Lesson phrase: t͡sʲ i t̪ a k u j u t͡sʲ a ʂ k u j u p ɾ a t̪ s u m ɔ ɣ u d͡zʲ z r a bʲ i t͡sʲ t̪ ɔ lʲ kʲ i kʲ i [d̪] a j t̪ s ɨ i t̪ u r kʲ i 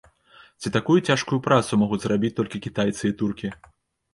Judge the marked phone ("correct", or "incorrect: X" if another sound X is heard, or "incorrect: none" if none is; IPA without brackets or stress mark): incorrect: t̪